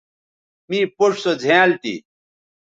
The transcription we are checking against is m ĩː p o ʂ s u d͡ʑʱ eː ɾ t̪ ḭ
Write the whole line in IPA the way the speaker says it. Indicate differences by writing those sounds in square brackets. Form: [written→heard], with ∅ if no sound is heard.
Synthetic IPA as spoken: m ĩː p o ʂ s [u→o] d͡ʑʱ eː [ɾ→l] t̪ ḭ